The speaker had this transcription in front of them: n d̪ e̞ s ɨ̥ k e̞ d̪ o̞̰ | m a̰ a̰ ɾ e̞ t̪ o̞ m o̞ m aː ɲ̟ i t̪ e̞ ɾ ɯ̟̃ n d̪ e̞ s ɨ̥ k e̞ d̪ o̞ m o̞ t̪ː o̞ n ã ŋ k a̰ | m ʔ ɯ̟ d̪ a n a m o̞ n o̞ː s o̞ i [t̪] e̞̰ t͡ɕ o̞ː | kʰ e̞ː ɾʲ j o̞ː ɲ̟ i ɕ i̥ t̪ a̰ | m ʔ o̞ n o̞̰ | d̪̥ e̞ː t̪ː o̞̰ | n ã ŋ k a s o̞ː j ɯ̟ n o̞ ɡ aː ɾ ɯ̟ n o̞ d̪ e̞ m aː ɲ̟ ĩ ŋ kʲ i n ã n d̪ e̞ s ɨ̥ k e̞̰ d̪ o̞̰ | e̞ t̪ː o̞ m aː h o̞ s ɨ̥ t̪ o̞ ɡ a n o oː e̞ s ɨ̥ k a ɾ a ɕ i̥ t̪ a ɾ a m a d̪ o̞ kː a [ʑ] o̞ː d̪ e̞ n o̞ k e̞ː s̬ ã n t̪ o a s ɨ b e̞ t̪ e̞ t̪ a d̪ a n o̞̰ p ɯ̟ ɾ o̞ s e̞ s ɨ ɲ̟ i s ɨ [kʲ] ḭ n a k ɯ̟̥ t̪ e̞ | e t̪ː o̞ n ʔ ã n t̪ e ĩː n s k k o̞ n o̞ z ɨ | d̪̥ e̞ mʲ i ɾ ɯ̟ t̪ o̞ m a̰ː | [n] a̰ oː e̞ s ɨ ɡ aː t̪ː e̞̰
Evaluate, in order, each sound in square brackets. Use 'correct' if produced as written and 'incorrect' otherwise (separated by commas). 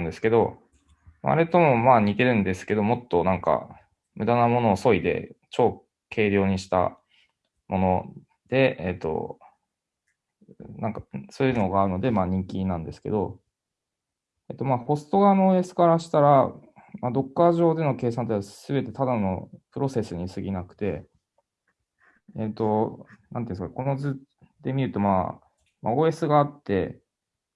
incorrect, correct, incorrect, incorrect